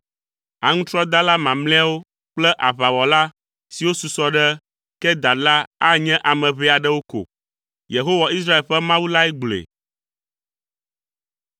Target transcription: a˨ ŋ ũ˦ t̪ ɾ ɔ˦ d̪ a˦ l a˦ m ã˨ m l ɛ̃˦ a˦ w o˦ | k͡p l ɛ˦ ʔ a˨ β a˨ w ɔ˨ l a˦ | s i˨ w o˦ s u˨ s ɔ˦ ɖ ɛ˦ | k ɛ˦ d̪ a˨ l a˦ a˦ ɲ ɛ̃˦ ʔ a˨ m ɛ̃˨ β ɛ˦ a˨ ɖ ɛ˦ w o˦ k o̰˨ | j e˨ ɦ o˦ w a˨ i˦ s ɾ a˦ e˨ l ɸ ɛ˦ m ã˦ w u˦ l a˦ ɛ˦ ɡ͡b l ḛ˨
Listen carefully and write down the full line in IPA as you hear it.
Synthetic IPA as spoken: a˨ ŋ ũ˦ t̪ ɾ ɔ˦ d̪ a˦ l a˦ m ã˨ m l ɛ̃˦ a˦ w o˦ | k͡p l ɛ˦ ʔ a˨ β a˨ w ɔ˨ l a˦ | s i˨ w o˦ s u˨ s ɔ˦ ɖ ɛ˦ | k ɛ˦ d̪ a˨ l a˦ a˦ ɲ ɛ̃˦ ʔ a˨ m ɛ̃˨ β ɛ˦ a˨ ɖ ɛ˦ w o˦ k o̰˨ | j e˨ ɦ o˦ w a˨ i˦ s ɾ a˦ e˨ l ɸ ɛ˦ m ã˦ w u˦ l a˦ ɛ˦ ɡ͡b l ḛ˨